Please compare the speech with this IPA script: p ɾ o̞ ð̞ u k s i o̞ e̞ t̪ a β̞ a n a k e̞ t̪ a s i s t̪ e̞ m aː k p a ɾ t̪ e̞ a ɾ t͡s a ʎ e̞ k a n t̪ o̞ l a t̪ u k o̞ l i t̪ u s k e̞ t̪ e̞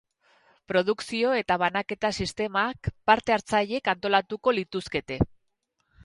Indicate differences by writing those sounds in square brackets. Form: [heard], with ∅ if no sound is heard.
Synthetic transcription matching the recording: p ɾ o̞ ð̞ u k s i o̞ e̞ t̪ a β̞ a n a k e̞ t̪ a s i s t̪ e̞ m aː k p a ɾ t̪ e̞ a ɾ t͡s a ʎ e̞ k a n t̪ o̞ l a t̪ u k o̞ l i t̪ u s k e̞ t̪ e̞